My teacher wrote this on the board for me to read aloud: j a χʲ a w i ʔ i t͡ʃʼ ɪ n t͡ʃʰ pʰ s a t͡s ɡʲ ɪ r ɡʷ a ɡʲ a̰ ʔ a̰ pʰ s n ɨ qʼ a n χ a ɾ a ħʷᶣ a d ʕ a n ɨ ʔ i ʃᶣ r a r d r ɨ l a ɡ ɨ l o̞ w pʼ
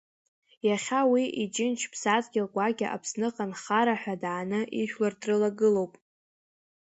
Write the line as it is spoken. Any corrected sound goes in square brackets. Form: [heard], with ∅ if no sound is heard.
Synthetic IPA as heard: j a χʲ a w i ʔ i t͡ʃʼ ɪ n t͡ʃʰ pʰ s a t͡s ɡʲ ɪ [l] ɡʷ a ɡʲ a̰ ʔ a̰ pʰ s n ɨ qʼ a n χ a ɾ a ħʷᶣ a d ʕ a n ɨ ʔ i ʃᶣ [l] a r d r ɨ l a ɡ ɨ l o̞ w pʼ